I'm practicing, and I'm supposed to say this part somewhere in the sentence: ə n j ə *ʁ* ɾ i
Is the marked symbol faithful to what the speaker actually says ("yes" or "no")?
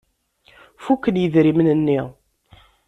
no